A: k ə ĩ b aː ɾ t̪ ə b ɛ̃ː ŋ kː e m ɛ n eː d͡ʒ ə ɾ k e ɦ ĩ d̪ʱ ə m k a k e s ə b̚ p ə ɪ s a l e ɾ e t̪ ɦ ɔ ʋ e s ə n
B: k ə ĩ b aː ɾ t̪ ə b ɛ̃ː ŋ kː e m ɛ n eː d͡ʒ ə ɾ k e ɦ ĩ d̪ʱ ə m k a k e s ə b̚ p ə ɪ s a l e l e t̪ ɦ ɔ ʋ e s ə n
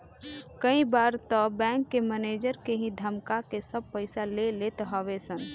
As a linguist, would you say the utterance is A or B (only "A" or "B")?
B